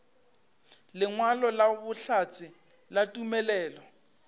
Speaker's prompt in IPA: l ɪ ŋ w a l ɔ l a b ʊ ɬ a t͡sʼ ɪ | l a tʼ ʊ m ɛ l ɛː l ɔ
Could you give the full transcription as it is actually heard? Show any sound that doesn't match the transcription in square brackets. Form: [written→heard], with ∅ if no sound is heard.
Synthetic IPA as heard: l ɪ ŋ w a l ɔ l a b ʊ ɬ a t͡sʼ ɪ | l a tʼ [ʊ→u] m ɛ l ɛː l ɔ